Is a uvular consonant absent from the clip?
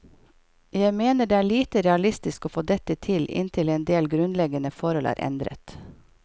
yes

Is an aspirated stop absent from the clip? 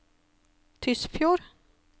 no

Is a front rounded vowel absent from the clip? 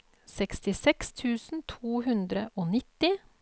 yes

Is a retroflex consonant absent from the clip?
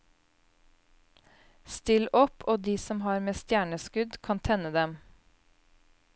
no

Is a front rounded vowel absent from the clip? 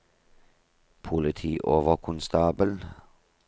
yes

